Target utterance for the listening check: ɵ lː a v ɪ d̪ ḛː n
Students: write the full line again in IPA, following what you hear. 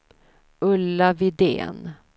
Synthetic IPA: ɵ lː a v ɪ d̪ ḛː n